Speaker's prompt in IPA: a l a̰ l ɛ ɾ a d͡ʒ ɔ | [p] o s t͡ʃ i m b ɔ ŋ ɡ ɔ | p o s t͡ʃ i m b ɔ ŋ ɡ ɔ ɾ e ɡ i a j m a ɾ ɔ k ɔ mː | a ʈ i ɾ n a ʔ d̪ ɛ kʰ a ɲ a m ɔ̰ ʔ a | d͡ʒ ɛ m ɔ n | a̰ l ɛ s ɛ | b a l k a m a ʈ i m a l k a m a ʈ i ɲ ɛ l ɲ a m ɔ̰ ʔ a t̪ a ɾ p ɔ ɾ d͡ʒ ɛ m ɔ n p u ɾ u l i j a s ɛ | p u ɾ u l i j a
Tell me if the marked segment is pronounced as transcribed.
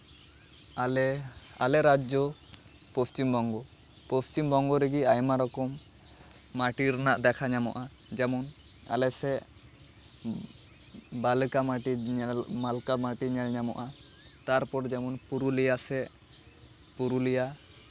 yes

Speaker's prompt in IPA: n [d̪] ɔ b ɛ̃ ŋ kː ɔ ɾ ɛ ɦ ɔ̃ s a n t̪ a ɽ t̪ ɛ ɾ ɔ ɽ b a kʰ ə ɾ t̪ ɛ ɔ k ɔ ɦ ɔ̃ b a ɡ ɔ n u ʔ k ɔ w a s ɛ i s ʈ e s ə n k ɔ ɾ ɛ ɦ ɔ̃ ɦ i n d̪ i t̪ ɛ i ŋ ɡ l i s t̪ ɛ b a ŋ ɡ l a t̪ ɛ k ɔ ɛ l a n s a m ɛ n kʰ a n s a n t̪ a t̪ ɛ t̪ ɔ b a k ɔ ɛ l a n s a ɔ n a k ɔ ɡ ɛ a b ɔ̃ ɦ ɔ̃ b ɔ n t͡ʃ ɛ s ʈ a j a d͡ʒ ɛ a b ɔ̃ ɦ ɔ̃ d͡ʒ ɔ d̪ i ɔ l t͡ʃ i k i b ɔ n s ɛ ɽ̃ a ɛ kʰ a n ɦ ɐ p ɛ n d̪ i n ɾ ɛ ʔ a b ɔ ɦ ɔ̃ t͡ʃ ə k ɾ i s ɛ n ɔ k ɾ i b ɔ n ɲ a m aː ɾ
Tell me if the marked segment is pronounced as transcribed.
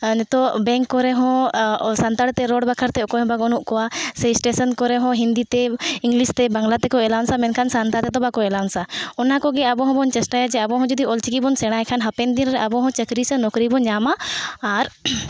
no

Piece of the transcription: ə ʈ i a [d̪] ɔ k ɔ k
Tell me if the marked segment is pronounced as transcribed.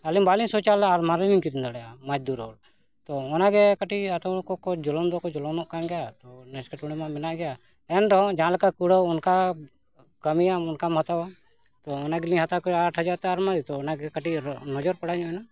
no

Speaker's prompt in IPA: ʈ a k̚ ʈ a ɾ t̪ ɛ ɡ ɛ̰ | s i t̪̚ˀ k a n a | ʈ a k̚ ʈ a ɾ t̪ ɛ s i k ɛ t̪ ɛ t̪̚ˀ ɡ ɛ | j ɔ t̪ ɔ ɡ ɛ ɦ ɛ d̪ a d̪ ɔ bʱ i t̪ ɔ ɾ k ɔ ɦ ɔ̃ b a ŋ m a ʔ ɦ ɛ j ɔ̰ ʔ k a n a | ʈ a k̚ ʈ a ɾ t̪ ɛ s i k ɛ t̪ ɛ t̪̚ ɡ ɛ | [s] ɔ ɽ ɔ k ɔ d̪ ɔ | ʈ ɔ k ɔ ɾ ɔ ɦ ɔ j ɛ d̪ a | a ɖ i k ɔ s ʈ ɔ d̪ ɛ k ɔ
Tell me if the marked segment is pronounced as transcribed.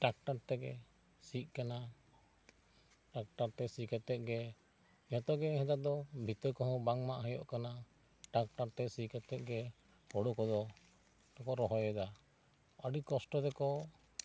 no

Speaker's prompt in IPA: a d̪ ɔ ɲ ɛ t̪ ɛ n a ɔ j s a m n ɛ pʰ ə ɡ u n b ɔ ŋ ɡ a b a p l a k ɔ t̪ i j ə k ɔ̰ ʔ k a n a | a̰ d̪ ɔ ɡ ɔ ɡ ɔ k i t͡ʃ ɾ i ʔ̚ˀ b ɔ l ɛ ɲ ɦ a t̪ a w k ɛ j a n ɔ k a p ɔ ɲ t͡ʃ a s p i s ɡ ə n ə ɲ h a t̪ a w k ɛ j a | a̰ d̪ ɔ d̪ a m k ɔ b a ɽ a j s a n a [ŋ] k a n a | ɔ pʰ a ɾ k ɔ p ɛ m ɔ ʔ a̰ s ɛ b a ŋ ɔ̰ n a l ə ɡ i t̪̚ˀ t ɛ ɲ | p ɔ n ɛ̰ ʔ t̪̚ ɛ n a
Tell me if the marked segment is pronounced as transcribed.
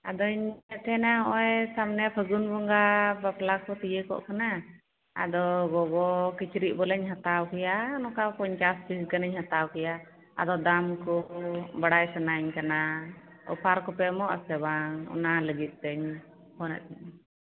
no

